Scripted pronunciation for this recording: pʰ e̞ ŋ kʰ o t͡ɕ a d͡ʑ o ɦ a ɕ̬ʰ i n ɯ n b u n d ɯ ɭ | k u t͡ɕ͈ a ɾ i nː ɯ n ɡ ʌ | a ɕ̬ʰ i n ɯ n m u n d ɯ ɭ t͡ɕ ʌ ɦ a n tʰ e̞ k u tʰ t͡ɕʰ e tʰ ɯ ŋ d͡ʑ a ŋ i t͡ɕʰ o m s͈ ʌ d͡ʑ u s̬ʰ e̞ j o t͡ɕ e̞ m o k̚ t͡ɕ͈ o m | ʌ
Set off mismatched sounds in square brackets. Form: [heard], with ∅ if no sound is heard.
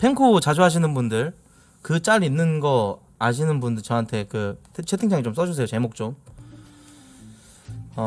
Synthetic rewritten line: pʰ e̞ ŋ kʰ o t͡ɕ a d͡ʑ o ɦ a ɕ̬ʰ i n ɯ n b u n d ɯ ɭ | k [ɯ] t͡ɕ͈ a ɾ i nː ɯ n ɡ ʌ | a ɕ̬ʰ i n ɯ n [b] u n d ɯ ɭ t͡ɕ ʌ ɦ a n tʰ e̞ k [ɯ] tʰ t͡ɕʰ e tʰ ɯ ŋ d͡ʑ a ŋ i [t͡ɕ] o m s͈ ʌ d͡ʑ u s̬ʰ e̞ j o t͡ɕ e̞ m o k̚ t͡ɕ͈ o m | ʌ